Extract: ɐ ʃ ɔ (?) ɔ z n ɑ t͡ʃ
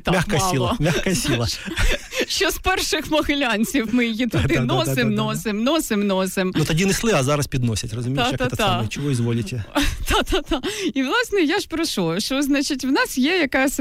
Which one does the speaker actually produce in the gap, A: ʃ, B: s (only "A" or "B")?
A